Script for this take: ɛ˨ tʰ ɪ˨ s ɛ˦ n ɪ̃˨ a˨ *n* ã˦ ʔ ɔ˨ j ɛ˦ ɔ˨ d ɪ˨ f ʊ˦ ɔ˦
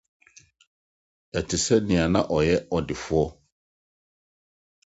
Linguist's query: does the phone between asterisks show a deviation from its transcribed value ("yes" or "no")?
no